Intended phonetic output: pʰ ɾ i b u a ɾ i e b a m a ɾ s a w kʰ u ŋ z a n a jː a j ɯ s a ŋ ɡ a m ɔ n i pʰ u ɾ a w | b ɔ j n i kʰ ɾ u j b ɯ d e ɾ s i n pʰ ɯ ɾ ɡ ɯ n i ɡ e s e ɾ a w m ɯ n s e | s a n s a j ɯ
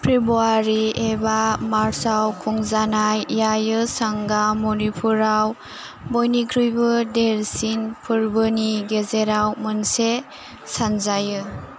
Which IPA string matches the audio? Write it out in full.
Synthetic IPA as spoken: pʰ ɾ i b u a ɾ i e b a m a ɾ s a w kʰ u ŋ z a n a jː a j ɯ s a ŋ ɡ a m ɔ n i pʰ u ɾ a w | b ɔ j n i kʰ ɾ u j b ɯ d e ɾ s i n pʰ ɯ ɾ b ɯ n i ɡ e z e ɾ a w m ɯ n s e | s a n z a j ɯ